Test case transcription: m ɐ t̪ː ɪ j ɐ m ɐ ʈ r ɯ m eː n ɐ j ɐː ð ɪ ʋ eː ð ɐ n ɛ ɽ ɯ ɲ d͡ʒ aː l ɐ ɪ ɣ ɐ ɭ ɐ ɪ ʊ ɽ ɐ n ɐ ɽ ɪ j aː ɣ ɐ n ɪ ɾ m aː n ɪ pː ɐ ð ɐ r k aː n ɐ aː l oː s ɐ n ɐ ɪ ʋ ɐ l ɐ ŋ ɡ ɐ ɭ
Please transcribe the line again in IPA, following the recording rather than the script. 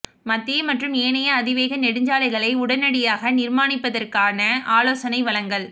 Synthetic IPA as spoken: m ɐ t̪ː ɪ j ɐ m ɐ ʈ r ɯ m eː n ɐ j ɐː ð ɪ ʋ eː ɣ ɐ n ɛ ɽ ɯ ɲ d͡ʒ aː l ɐ ɪ ɣ ɐ ɭ ɐ ɪ ʊ ɽ ɐ n ɐ ɽ ɪ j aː ɣ ɐ n ɪ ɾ m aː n ɪ pː ɐ ð ɐ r k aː n ɐ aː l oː s ɐ n ɐ ɪ ʋ ɐ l ɐ ŋ ɡ ɐ ɭ